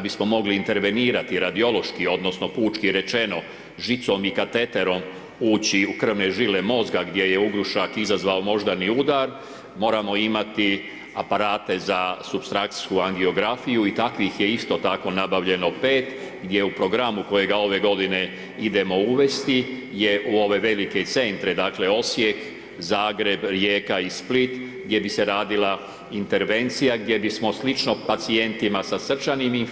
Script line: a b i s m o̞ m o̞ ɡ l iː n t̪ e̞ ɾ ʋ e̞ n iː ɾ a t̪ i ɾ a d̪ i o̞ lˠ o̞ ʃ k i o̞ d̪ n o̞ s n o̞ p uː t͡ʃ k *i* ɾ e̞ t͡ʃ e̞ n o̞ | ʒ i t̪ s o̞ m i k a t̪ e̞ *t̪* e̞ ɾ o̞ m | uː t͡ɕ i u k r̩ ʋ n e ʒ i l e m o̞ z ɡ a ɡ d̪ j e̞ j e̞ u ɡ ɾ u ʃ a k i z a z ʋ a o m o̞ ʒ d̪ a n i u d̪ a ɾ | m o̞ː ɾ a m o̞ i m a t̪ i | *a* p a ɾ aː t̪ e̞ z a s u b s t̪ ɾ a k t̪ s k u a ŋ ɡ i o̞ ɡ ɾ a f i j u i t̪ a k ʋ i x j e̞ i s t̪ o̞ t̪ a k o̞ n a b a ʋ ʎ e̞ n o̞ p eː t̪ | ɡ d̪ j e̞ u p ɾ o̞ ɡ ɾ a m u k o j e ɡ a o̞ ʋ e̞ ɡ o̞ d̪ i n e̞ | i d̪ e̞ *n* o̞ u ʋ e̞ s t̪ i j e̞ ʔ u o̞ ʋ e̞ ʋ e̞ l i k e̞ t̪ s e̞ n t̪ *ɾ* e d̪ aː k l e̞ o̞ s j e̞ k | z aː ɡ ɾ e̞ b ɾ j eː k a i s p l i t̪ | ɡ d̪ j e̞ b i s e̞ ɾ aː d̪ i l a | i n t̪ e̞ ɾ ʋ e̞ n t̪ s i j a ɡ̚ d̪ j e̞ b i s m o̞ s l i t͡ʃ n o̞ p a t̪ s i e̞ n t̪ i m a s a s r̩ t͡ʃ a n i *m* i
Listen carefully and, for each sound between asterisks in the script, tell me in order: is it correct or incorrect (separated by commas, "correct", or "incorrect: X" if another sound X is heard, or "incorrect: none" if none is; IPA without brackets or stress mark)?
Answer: correct, correct, correct, incorrect: m, correct, correct